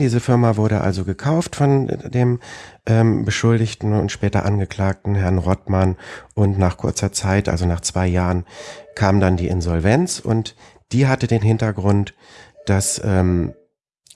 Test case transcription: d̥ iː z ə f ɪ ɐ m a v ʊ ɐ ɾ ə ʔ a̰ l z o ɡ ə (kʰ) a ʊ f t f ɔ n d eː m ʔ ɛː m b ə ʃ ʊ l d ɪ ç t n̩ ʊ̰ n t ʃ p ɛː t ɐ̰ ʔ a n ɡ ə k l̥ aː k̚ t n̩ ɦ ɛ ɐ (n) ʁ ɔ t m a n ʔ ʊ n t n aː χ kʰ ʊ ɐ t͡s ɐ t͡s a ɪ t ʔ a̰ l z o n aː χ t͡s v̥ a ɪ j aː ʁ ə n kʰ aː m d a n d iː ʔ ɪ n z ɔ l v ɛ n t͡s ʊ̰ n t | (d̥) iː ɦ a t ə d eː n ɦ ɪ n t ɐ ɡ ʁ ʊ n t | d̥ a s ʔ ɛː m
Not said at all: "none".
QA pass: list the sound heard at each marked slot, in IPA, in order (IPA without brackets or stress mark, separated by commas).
kʰ, n, d̥